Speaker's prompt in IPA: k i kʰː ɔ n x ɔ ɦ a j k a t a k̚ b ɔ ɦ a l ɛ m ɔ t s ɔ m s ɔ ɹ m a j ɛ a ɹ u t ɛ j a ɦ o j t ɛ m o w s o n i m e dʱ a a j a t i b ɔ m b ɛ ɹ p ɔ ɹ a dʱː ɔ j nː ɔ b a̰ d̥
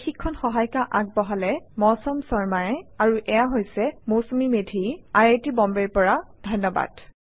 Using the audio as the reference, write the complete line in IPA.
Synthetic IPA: x i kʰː ɔ n x ɔ ɦ a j k a ʔ a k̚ b ɔ ɦ a l ɛ m ɔ s ɔ m s ɔ ɹ m a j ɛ a ɹ u ʔ ɛ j a ɦ o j s ɛ m o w s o m i m e dʱ i a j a t i b ɔ m b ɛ ɹ p ɔ ɹ a dʱ ɔ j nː ɔ b a̰ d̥